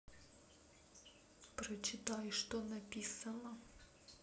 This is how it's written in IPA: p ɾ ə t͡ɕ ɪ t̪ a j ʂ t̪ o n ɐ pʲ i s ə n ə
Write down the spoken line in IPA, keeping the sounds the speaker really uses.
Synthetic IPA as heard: p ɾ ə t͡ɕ ɪ t̪ a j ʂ t̪ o n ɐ pʲ i s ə n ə